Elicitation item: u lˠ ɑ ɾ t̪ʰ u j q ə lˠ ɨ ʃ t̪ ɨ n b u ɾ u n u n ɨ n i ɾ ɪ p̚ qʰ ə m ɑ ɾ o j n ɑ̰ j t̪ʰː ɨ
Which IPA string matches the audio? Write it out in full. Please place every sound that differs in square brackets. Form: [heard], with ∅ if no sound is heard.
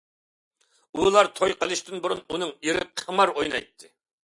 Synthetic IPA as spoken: u lˠ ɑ ɾ t̪ʰ [o] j q ə lˠ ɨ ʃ t̪ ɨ n b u ɾ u n u n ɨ [ŋ] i ɾ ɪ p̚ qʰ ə m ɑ ɾ o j n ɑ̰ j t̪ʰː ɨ